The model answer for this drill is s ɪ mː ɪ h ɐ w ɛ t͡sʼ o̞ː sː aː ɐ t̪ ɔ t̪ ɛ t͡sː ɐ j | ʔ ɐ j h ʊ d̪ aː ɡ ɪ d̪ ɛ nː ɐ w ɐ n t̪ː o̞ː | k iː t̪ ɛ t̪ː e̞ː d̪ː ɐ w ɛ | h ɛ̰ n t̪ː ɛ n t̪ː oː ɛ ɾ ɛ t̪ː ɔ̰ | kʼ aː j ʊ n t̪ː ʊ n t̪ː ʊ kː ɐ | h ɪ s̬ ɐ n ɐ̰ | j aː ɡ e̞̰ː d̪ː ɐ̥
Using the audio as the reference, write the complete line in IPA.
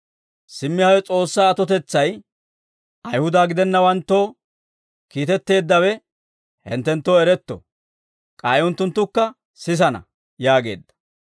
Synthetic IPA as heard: s ɪ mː ɪ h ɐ w ɛ t͡sʼ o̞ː sː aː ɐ t̪ ɔ t̪ ɛ t͡sː ɐ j | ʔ ɐ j h ʊ d̪ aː ɡ ɪ d̪ ɛ nː ɐ w ɐ n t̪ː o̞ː | k iː t̪ ɛ t̪ː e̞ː d̪ː ɐ w ɛ | h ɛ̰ n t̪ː ɛ n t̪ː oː ɛ ɾ ɛ t̪ː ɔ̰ | kʼ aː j ʊ n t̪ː ʊ n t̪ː ʊ kː ɐ | s ɪ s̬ ɐ n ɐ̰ | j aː ɡ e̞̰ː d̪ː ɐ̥